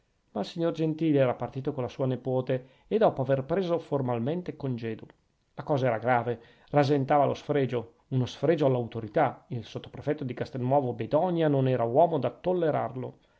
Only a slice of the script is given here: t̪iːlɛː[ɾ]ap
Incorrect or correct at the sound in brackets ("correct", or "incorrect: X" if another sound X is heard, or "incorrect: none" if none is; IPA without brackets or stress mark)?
correct